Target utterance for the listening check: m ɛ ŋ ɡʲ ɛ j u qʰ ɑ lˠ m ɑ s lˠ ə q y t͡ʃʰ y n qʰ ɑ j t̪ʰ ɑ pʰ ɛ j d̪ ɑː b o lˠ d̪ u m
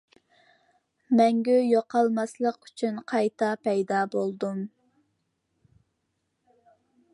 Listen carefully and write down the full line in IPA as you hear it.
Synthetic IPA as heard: m ɛ ŋ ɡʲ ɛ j o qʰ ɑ lˠ m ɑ s lˠ ə q y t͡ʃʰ y n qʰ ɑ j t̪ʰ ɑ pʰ ɛ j d̪ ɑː b o lˠ d̪ u m